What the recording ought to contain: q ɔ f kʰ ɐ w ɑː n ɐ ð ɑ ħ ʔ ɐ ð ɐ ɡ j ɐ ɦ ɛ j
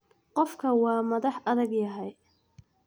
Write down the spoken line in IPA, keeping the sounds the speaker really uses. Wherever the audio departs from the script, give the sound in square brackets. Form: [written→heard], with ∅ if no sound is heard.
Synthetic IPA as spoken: q ɔ f kʰ ɐ w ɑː [n→m] ɐ ð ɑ ħ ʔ ɐ ð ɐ ɡ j ɐ ɦ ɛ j

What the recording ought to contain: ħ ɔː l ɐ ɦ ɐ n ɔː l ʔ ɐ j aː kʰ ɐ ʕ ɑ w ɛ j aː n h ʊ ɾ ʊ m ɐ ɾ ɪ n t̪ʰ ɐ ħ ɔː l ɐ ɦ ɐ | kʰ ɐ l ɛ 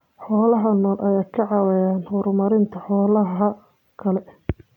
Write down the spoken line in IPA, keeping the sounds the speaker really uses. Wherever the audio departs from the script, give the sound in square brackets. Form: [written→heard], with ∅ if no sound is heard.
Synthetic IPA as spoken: ħ ɔː l ɐ ɦ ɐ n ɔː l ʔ ɐ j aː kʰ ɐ ʕ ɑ w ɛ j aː n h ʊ ɾ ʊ m ɐ ɾ ɪ n t̪ʰ ɐ ħ ɔː l ɐ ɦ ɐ | kʰ ɐ l ɛ

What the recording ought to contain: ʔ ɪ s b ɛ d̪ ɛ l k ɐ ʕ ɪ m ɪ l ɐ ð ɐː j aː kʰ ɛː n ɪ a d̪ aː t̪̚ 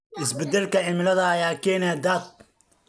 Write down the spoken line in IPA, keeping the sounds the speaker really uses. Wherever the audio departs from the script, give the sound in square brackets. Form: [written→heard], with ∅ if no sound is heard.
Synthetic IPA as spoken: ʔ ɪ s b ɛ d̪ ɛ l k ɐ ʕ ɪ m ɪ l ɐ ð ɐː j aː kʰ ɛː n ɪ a d̪ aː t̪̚

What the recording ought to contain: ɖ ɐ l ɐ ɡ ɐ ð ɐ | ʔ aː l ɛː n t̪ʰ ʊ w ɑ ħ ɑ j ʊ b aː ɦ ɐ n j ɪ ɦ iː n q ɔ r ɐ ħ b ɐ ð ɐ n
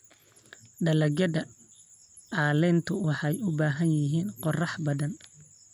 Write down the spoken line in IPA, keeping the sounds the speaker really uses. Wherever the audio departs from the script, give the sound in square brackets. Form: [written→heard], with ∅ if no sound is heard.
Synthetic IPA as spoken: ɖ ɐ l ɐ ɡ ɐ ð ɐ | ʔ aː l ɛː n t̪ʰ ʊ w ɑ ħ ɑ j ʊ b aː ɦ ɐ n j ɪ ɦ iː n q ɔ r [ɐ→ɑ] ħ b ɐ ð ɐ n

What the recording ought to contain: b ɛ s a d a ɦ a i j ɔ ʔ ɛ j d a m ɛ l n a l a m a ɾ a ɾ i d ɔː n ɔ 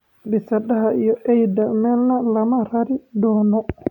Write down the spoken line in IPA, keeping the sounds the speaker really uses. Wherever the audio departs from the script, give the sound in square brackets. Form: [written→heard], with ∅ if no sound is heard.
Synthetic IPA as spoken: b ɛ s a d a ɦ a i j ɔ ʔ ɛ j d a m ɛ l n a l a m a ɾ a ɾ i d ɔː n ɔ

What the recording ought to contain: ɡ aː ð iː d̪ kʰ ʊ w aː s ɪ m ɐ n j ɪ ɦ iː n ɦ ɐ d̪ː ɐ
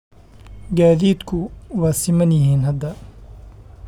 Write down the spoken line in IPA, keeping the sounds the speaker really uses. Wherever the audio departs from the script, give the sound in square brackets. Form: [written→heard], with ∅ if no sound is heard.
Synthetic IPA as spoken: ɡ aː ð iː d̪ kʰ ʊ w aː s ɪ m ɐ n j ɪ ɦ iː n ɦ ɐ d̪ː ɐ

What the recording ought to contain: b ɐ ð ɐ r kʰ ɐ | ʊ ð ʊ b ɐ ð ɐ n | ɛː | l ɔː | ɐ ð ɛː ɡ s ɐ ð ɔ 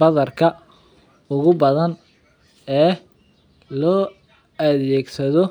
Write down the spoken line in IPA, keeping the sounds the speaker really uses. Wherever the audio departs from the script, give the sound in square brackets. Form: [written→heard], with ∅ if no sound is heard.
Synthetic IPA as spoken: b ɐ ð ɐ r kʰ ɐ | ʊ [ð→ɣ] ʊ b ɐ ð ɐ n | ɛː | l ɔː | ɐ ð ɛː ɡ s ɐ ð ɔ

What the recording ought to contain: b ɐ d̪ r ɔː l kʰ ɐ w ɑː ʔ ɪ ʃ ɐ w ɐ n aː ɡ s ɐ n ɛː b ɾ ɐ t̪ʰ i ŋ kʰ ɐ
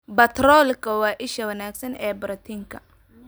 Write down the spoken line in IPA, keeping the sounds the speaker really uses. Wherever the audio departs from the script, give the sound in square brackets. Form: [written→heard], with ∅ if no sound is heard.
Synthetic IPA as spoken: b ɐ [d̪→t̪] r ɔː l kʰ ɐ w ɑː ʔ ɪ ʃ ɐ w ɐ n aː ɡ s ɐ n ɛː b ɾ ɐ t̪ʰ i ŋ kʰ ɐ

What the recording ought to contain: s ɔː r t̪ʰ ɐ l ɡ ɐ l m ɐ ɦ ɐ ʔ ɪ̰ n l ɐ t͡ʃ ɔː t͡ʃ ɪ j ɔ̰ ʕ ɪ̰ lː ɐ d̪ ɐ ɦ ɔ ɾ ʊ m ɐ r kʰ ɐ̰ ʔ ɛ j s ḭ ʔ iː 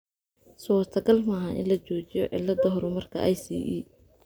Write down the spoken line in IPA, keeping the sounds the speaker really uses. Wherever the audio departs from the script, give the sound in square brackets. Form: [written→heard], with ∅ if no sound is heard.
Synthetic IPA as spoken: s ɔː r t̪ʰ ɐ [l→∅] ɡ ɐ l m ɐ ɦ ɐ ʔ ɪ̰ n l ɐ t͡ʃ ɔː t͡ʃ ɪ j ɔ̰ ʕ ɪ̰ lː ɐ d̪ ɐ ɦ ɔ ɾ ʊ m ɐ r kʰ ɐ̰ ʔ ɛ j s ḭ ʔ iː

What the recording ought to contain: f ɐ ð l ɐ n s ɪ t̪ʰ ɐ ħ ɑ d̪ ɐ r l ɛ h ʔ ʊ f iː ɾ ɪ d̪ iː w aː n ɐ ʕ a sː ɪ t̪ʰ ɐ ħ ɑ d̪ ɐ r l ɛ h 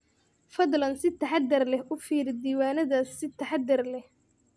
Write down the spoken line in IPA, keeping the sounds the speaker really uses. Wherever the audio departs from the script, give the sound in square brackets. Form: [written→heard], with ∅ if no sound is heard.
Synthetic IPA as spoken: f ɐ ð l ɐ n s ɪ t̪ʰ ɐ ħ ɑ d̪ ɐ r l ɛ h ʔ ʊ f iː ɾ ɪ d̪ iː w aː n ɐ [ʕ→ð] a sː ɪ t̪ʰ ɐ ħ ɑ d̪ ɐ r l ɛ h

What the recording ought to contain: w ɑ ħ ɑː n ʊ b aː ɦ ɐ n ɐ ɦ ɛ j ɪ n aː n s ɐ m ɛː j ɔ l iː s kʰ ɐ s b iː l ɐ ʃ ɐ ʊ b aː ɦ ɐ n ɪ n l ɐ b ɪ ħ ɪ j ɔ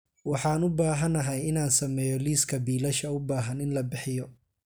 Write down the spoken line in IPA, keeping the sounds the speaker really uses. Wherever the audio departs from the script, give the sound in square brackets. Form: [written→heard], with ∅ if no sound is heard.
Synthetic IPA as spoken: w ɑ ħ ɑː n ʊ b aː ɦ ɐ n ɐ ɦ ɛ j ɪ n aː n s ɐ m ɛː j ɔ l iː s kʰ ɐ [s→∅] b iː l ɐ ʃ ɐ ʊ b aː ɦ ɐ n ɪ n l ɐ b ɪ ħ ɪ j ɔ

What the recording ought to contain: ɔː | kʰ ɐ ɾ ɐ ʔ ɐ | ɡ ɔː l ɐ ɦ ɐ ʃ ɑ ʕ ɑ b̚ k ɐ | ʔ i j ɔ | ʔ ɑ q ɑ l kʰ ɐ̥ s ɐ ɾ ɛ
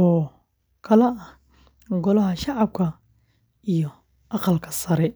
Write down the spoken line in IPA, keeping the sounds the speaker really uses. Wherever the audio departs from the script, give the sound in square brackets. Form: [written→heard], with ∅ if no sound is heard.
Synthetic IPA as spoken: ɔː | kʰ ɐ [ɾ→l] ɐ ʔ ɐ | ɡ [ɔː→ɔ] l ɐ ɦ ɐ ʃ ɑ ʕ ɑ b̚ [k→kʰ] ɐ | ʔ i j ɔ | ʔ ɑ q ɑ l kʰ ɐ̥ s ɐ ɾ ɛ

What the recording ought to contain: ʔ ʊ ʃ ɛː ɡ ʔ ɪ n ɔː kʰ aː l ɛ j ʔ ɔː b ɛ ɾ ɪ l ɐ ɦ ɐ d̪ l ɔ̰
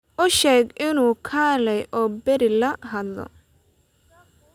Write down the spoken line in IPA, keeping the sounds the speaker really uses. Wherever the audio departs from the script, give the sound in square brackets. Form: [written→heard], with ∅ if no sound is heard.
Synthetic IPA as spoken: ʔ ʊ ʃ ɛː ɡ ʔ ɪ n [ɔː→uː] kʰ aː l ɛ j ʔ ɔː b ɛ ɾ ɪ l ɐ ɦ ɐ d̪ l ɔ̰

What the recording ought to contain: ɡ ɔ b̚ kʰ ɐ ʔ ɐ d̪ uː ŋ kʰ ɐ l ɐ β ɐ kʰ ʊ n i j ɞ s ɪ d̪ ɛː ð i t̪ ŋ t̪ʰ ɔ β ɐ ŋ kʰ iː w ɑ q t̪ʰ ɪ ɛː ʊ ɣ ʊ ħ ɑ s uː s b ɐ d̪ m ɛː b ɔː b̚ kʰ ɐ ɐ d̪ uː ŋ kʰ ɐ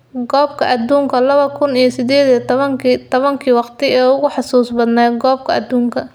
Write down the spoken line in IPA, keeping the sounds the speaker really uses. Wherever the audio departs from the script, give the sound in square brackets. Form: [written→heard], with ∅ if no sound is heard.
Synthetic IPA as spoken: ɡ [ɔ→ɔː] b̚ kʰ ɐ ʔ ɐ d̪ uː ŋ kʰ ɐ l ɐ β ɐ kʰ ʊ n i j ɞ s ɪ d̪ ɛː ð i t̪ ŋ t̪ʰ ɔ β ɐ ŋ kʰ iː w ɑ q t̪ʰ ɪ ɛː ʊ ɣ ʊ ħ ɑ s uː s b ɐ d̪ [m→n] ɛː [b→ɡ] ɔː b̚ kʰ ɐ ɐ d̪ uː ŋ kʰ ɐ

